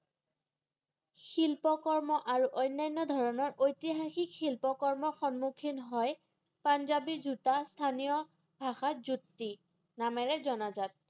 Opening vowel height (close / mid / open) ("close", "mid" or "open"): close